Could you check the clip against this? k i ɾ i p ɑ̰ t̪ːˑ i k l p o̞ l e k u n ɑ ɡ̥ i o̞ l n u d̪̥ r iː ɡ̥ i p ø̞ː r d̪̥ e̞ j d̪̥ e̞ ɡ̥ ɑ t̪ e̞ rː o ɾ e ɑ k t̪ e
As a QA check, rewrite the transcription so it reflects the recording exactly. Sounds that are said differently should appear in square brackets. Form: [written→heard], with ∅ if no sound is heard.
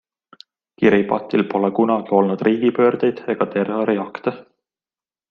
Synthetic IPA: k i ɾ i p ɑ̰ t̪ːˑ i [k→∅] l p o̞ l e k u n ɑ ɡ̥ i o̞ l n u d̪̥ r iː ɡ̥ i p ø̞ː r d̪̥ e̞ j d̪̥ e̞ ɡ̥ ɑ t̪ e̞ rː o ɾ [e→i] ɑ k t̪ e

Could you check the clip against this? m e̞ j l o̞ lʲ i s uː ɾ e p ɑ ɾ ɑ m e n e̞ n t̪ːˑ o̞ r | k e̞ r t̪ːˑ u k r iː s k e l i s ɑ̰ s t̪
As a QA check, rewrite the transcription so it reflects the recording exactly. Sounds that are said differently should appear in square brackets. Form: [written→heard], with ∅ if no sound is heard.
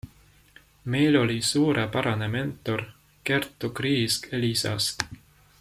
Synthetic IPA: m e̞ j l o̞ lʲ i s uː ɾ e p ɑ ɾ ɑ [m→n] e [n→m] e̞ n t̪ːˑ o̞ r | k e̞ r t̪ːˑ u k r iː s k e l i s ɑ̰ s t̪

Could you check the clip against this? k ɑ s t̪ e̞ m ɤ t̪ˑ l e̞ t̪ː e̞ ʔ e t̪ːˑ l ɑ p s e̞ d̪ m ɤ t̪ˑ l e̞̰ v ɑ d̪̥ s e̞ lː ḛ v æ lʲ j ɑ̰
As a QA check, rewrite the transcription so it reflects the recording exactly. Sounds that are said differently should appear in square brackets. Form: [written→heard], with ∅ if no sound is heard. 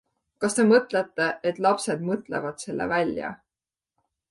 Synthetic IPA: k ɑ s t̪ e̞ m ɤ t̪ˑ l e̞ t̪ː e̞ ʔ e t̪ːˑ l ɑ p s e̞ d̪ m ɤ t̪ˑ l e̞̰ v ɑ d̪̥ s e̞ lː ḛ v æ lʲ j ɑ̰

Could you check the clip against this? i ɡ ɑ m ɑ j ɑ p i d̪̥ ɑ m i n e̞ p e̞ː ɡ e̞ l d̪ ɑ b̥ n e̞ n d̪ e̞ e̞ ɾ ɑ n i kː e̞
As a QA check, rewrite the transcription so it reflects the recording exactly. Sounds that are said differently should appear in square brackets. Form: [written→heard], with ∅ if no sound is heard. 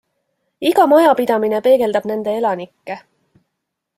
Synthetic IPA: i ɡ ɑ m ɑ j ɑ p i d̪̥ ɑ m i n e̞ p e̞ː ɡ e̞ l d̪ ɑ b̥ n e̞ n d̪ e̞ e̞ [ɾ→l] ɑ n i kː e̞

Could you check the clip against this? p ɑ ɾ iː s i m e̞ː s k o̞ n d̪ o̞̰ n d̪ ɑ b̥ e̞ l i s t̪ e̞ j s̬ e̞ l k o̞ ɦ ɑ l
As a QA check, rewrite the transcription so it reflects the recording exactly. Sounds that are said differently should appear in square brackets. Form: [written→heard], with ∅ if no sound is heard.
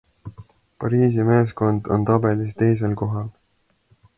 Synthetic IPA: p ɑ ɾ iː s i m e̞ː s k o̞ n d̪ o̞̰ n [d̪→t̪] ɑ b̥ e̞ l i s t̪ e̞ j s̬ e̞ l k o̞ ɦ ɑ l

